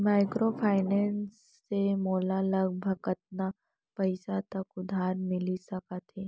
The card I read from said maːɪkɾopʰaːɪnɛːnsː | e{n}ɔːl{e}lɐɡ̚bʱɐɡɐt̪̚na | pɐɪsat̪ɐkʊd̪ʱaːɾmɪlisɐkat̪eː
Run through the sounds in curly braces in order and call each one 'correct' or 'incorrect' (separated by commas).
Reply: incorrect, incorrect